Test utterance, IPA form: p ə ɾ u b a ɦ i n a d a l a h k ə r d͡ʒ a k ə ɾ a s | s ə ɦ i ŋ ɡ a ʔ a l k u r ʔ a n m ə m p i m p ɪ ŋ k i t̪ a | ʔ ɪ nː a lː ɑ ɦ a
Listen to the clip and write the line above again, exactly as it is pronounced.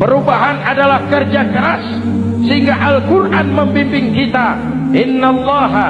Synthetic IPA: p ə ɾ u b a ɦ a n a d a l a h k ə r d͡ʒ a k ə ɾ a s | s ə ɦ i ŋ ɡ a ʔ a l k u r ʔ a n m ə m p i m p ɪ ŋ k i t̪ a | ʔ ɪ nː a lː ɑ ɦ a